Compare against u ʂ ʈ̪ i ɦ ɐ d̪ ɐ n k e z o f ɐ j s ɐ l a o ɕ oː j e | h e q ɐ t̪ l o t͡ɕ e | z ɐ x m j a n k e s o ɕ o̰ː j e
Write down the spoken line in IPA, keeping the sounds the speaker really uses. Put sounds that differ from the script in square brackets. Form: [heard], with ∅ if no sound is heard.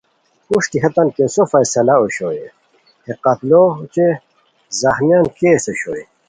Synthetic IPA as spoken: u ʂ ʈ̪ i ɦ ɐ [t̪] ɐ n k e [s] o f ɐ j s ɐ l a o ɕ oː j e | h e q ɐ t̪ l o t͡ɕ e | z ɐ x m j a n k e s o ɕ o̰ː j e